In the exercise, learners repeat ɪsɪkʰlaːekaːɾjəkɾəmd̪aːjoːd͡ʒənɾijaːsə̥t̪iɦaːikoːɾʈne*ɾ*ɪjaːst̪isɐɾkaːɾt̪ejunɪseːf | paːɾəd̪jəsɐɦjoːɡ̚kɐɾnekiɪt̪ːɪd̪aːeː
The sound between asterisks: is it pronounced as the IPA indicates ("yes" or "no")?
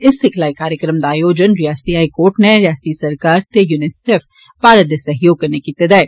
yes